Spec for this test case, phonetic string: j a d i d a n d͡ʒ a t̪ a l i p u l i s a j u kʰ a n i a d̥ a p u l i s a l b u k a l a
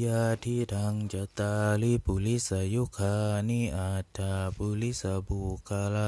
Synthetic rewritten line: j a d i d a ŋ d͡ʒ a t̪ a l i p u l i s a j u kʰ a n i a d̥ a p u l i s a b u k a l a